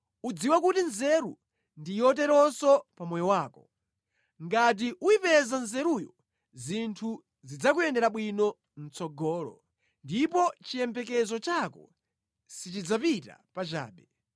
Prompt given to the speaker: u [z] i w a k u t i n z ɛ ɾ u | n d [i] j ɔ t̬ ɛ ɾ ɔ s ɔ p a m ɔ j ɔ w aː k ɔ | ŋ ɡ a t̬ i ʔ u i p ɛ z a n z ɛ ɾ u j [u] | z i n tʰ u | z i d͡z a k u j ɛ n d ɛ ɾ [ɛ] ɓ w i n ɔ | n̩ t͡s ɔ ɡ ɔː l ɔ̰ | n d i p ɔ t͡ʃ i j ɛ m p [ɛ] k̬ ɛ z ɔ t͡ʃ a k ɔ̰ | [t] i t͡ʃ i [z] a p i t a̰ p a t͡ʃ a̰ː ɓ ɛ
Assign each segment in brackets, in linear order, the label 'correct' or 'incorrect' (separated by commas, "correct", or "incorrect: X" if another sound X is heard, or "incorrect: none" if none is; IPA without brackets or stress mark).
incorrect: d͡z, correct, incorrect: ɔ, incorrect: a, correct, incorrect: s, incorrect: d͡z